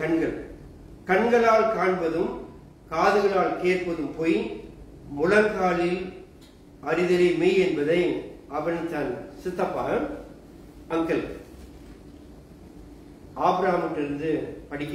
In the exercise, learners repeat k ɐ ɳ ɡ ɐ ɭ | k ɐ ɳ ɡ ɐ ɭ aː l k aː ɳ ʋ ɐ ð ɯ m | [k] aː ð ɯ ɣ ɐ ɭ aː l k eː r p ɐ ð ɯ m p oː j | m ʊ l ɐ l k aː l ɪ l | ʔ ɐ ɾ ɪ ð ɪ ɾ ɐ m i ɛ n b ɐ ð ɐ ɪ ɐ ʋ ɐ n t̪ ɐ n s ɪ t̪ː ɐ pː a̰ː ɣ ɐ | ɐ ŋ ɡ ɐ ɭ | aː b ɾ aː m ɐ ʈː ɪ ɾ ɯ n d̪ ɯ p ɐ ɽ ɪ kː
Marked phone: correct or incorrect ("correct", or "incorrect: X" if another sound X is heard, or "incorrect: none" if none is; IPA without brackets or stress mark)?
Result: correct